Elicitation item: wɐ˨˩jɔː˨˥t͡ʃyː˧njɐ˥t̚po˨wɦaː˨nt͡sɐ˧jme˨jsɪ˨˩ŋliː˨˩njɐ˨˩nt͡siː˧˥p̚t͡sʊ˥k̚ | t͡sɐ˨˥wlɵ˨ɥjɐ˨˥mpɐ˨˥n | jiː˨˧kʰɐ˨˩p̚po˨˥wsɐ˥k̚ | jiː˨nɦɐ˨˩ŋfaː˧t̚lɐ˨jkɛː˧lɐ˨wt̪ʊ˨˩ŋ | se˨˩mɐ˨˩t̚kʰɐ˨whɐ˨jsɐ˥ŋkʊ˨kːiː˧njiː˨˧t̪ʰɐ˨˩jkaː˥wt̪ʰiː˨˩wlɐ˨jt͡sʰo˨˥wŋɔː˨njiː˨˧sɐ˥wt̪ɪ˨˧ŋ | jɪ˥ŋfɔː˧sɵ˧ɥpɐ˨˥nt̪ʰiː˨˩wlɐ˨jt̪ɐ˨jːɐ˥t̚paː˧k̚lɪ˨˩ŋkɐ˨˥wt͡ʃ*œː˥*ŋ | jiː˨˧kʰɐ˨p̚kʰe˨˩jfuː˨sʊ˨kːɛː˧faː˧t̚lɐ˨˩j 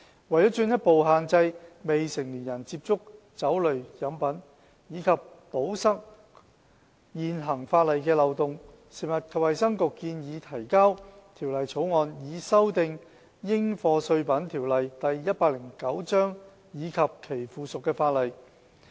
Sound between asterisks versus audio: correct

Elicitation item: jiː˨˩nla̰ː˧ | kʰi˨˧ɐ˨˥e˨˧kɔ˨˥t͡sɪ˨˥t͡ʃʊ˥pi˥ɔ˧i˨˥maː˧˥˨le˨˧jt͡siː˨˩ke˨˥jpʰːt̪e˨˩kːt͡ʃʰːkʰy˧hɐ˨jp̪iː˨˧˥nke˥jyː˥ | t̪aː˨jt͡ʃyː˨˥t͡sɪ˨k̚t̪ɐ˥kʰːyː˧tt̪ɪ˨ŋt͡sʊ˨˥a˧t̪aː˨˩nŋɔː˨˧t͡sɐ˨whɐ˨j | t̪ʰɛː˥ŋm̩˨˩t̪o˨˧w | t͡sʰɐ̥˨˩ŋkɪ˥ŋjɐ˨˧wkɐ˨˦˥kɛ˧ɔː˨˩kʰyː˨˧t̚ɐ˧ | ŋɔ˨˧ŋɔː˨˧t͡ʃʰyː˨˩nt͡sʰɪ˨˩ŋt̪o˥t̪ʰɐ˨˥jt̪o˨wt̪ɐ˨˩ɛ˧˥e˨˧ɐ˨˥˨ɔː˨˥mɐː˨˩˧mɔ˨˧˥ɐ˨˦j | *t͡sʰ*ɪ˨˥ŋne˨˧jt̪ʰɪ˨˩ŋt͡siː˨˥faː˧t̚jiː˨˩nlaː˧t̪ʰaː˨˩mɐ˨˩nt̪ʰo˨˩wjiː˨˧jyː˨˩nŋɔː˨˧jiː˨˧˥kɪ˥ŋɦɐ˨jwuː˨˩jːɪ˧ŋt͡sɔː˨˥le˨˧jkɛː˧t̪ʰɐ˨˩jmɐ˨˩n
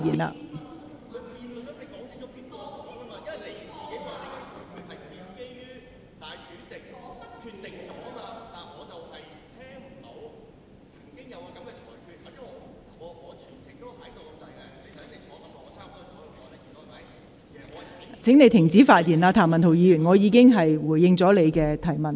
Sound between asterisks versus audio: correct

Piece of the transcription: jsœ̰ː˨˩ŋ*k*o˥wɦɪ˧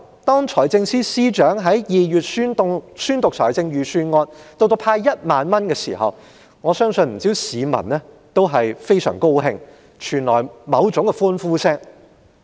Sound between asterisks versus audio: correct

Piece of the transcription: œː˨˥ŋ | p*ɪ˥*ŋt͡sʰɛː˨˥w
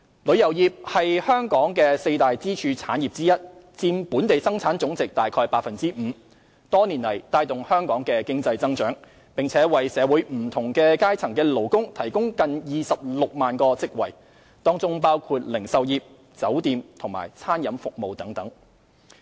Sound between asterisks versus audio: incorrect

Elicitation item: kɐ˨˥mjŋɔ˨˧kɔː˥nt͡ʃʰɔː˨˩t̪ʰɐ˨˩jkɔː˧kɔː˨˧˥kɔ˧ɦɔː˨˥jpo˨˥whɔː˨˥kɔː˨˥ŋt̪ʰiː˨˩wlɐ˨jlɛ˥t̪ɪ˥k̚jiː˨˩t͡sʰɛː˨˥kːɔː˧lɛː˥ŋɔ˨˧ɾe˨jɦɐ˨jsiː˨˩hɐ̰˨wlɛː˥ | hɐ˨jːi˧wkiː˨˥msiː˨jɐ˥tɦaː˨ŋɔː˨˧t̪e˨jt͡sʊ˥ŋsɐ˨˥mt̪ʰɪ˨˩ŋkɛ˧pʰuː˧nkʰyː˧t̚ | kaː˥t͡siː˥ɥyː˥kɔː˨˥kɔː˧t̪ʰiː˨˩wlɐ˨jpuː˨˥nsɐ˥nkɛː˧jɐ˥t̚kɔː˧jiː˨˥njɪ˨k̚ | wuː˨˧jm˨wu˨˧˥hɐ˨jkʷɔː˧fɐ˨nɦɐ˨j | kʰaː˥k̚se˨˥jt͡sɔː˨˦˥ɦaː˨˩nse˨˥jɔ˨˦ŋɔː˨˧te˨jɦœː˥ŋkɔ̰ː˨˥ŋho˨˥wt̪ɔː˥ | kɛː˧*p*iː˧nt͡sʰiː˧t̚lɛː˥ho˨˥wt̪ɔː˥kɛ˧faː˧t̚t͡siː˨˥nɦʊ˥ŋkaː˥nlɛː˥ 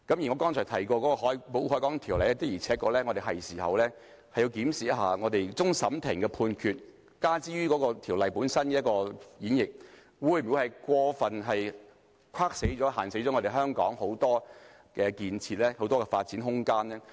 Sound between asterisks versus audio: incorrect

